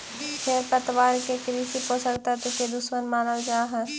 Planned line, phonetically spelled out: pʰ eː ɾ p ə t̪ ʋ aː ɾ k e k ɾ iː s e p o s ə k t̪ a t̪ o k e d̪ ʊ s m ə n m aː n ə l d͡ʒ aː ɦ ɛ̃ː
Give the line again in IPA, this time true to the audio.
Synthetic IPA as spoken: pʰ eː ɾ p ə t̪ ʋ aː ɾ k e k ɾ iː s i p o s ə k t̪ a t̪ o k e d̪ ʊ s m ə n m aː n ə l d͡ʒ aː ɦ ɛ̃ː